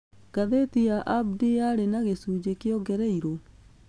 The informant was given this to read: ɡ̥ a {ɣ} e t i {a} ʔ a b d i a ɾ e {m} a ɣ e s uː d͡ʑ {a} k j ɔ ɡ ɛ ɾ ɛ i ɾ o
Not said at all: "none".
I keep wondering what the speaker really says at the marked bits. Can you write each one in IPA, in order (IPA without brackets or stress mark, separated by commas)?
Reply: ð, a, n, e